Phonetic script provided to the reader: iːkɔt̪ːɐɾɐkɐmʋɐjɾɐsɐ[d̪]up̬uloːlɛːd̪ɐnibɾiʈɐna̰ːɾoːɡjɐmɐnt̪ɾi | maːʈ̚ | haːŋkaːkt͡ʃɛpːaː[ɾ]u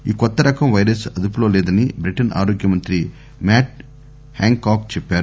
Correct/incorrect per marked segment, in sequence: correct, correct

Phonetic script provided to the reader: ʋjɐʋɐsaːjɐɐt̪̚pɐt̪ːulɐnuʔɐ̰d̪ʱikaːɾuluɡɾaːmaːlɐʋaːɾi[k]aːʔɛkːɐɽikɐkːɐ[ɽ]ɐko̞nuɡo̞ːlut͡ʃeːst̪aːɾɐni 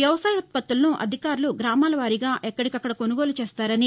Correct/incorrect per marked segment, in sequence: incorrect: ɡ, correct

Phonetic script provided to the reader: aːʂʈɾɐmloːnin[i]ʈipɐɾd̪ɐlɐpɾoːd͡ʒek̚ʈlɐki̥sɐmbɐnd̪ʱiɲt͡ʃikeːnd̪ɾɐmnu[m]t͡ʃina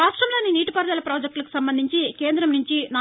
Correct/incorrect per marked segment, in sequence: incorrect: iː, incorrect: ɲ

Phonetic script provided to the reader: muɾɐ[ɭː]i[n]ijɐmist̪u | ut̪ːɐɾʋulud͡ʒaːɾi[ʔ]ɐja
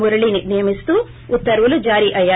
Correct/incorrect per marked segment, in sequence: incorrect: ɭ, correct, correct

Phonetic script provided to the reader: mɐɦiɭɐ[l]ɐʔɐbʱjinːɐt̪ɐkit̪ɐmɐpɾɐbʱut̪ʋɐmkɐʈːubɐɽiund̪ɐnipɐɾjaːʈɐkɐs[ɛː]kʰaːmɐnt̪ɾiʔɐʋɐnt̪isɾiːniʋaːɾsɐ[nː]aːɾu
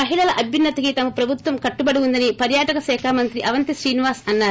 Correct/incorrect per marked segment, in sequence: correct, correct, correct

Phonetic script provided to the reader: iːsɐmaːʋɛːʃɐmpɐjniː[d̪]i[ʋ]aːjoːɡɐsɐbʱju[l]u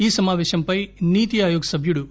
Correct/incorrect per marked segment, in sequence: incorrect: t̪, incorrect: none, incorrect: ɽ

